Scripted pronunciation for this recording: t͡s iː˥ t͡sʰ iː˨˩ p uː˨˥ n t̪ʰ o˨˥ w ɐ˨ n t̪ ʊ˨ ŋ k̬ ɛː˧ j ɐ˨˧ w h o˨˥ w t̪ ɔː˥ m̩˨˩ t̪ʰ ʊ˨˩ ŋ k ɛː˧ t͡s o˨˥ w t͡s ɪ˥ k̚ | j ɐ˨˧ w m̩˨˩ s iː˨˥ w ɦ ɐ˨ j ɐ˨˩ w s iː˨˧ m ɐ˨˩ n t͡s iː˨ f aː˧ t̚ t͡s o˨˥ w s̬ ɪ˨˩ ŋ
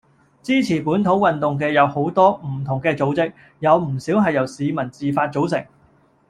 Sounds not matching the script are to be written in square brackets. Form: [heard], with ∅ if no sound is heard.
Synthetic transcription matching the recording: t͡s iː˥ t͡sʰ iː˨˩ p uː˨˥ n t̪ʰ o˨˥ w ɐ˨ n t̪ ʊ˨ ŋ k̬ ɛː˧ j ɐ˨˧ w h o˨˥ w t̪ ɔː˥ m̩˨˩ t̪ʰ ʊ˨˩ ŋ k ɛː˧ t͡s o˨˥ w t͡s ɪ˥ k̚ | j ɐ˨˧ w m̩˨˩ s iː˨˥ w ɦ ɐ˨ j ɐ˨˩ w s iː˨˧ m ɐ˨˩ n t͡s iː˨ f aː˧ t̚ t͡s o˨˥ w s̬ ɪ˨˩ ŋ